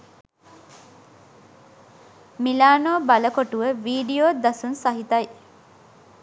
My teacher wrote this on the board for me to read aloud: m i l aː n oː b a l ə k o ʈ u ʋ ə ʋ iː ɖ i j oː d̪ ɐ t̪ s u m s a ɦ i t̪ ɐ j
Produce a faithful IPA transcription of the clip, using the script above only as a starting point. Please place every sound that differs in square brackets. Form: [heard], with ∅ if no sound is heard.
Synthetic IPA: m i l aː n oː b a l ə k o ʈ u ʋ ə ʋ iː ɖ i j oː d̪ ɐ [∅] s u [n] s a ɦ i t̪ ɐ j